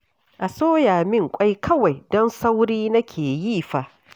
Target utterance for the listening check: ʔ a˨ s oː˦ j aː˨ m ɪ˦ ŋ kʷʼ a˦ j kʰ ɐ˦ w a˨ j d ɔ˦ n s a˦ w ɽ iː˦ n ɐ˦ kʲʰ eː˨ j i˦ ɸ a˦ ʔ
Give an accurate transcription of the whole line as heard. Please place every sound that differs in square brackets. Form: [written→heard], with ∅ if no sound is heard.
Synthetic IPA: ʔ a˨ s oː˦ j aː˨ m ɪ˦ ŋ kʷʼ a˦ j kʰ ɐ˦ w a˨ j d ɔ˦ n s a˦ w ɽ iː˦ n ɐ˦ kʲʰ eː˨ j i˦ ɸ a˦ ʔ